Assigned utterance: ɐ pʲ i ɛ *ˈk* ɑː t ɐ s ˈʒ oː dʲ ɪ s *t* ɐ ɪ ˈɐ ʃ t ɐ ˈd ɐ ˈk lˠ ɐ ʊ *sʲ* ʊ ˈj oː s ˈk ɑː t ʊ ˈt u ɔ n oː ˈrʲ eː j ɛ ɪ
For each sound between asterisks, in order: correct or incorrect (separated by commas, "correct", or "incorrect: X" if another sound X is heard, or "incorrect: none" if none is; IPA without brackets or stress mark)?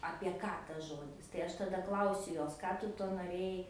correct, correct, correct